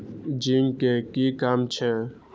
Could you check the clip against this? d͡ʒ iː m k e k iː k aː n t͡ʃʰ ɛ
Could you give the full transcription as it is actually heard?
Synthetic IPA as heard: d͡ʒ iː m k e k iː k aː m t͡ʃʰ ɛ